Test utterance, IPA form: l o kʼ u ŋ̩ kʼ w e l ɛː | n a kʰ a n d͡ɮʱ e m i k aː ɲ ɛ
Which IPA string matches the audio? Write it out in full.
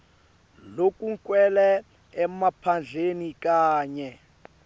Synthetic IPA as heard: l o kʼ u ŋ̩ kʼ w ɛ l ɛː | m a pʰ a n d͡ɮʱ e n i k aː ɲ ɛ

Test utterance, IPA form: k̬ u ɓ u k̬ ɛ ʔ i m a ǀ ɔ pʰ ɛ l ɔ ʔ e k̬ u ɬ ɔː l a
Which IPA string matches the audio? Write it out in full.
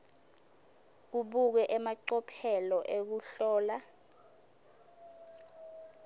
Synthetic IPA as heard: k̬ u ɓ u k̬ ɛ ʔ ɛ m a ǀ ɔ pʰ ɛ l ɔ ʔ e k̬ u ɬ ɔː l a

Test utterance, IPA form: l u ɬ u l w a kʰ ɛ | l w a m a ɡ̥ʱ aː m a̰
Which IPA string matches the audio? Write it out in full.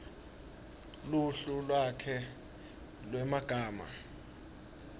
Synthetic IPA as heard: l u ɬ u l w a kʰ ɛ | l w ɛ m a ɡ̥ʱ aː m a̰

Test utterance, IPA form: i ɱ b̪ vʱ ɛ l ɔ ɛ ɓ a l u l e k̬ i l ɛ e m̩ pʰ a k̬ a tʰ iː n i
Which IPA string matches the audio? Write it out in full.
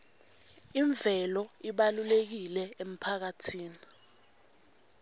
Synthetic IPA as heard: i ɱ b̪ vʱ ɛ l ɔ i ɓ a l u l e k̬ i l ɛ e m̩ pʰ a k̬ a tʰ iː n i

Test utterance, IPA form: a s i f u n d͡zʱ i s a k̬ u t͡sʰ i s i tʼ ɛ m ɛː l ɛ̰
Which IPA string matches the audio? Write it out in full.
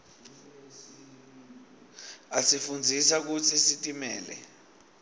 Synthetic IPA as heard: a s i f u n d͡zʱ i s a k̬ u t͡sʰ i s i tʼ i m ɛː l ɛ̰

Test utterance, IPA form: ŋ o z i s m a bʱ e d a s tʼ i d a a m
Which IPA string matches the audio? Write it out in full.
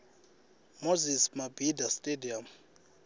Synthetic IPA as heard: m o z i s m a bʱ i d a s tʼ e d i a m

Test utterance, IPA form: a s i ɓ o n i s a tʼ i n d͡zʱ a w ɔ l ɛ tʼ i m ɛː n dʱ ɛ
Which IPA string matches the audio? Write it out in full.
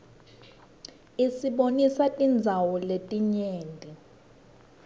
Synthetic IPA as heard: i s i ɓ o n i s a tʼ i n d͡zʱ a w ɔ l e tʼ i ɲ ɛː n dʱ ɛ

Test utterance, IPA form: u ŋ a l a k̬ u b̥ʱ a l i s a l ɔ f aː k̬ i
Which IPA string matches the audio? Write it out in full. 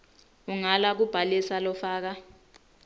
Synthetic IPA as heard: u ŋ a l a k̬ u b̥ʱ a l i s a l ɔ f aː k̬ a

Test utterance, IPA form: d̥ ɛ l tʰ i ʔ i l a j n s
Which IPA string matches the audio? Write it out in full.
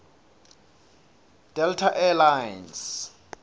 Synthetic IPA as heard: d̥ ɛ l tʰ a ʔ ɛ l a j n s

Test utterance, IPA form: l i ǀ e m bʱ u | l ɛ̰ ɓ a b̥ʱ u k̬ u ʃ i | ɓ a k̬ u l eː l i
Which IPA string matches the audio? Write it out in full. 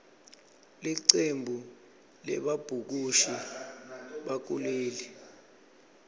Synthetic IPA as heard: l i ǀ e m bʱ u | l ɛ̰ ɓ a b̥ʱ u k̬ u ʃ i | ɓ a k̬ u l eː l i

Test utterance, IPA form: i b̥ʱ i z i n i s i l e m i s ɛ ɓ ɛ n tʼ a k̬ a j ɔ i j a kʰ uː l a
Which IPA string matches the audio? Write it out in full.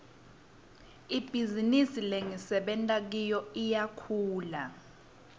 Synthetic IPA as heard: i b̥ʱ i z i n i s i l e ŋ i s ɛ ɓ ɛ n tʼ a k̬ i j ɔ i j a kʰ uː l a

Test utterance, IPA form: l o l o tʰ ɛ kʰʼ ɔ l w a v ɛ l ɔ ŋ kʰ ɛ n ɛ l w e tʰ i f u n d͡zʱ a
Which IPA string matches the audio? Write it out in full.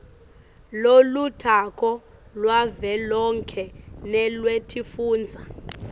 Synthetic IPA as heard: l o l u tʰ a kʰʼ ɔ l w a v ɛ l ɔ ŋ kʰ ɛ n ɛ l w e tʰ i f uː n d͡zʱ a

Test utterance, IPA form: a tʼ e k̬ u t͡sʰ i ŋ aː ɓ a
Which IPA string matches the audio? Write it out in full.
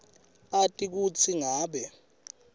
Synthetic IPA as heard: a tʼ i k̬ u t͡sʰ i ŋ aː ɓ ɛ

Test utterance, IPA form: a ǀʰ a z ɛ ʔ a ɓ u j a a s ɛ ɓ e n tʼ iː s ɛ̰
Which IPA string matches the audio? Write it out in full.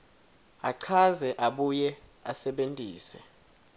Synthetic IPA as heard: a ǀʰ a z ɛ ʔ a ɓ u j ɛ a s ɛ ɓ e n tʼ iː s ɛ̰

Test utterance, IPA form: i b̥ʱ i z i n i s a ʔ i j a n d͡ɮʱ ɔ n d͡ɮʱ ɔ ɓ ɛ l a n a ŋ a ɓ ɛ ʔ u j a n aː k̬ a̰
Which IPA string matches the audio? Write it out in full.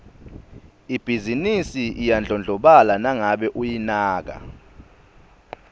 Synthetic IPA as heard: i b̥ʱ i z i n i s i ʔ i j a n d͡ɮʱ ɔ n d͡ɮʱ ɔ ɓ a l a n a ŋ a ɓ ɛ ʔ u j i n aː k̬ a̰

